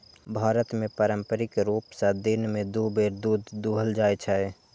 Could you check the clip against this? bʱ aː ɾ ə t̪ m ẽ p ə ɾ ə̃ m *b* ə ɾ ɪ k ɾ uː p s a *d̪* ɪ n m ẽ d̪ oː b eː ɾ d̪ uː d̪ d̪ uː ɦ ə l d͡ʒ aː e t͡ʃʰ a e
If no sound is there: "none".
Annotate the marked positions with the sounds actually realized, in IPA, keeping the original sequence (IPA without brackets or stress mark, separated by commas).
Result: p, d̪